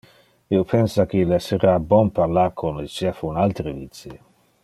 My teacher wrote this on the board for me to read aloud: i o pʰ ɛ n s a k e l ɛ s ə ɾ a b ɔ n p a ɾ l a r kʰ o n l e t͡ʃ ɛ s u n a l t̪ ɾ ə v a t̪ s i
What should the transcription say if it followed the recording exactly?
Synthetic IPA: i o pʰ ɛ n s a k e l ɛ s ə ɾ a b ɔ n p a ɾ l a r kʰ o n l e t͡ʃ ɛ f u n a l t̪ ɾ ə v i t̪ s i

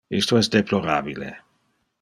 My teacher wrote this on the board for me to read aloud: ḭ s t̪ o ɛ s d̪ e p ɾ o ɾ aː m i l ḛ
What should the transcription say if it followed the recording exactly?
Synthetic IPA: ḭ s t̪ o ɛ s d̪ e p l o ɾ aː b i l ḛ

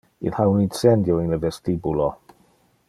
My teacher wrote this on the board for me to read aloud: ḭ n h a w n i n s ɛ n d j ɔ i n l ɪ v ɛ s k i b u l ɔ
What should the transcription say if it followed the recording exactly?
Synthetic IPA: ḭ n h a w n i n s ɛ n d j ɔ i n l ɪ v ɛ s t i b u l ɔ

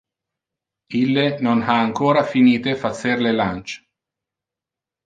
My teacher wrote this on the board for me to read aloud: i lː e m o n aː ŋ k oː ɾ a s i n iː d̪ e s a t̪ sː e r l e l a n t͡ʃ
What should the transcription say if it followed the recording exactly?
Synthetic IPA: i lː e n o n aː ŋ k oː ɾ a f i n iː t̪ e f a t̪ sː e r l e l a n t͡ʃ

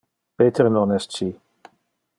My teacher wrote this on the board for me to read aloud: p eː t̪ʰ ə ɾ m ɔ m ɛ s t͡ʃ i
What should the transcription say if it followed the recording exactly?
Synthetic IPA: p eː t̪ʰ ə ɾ n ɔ n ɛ s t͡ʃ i

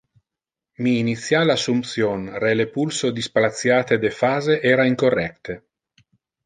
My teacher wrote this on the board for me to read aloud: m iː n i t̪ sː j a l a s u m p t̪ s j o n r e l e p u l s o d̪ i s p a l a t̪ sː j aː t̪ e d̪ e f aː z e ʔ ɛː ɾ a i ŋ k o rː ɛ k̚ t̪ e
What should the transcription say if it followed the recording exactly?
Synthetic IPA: m iː n i t̪ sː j a l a s u m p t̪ s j o n r e l e p u l s o d̪ i s p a l a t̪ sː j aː t̪ e d̪ e f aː z e ʔ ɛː ɾ a i ŋ k o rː ɛ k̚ t̪ e

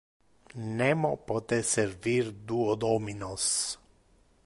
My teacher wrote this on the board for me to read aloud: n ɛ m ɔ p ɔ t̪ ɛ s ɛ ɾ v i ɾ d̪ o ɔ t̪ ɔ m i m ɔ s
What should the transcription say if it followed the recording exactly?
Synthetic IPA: n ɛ m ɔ p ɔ t̪ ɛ s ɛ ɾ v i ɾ d̪ u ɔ d̪ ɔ m i n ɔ s

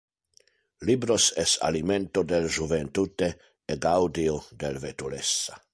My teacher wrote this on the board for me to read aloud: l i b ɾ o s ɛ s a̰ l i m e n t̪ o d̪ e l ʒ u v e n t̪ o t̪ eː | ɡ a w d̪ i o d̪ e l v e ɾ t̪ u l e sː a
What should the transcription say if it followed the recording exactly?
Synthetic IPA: l i b ɾ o s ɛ s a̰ l i m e n t̪ o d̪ e l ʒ u v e n t̪ u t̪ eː | ɡ a w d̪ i o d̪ e l v e t̪ u l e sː a

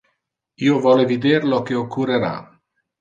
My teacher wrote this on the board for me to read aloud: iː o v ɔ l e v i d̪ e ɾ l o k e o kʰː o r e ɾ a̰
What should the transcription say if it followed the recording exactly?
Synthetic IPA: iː o v ɔ l e v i d̪ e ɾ l o k e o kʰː u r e ɾ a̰

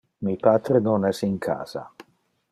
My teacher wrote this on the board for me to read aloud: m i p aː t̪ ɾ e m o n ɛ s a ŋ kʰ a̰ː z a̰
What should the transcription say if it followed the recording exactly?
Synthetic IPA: m i p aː t̪ ɾ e n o n ɛ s i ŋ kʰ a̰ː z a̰

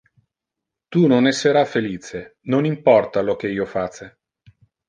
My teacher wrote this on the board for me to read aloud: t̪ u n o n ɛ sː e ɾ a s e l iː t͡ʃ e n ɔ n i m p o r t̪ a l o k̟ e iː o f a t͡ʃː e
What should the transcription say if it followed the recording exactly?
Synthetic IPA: t̪ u n o n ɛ sː e ɾ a f e l iː t͡ʃ e n o n i m p ɔ r t̪ a l o k̟ e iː o f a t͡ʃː e

